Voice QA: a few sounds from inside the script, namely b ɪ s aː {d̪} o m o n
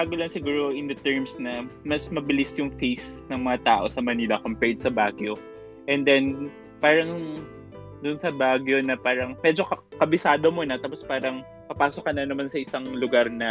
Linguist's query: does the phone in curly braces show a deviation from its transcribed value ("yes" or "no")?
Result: no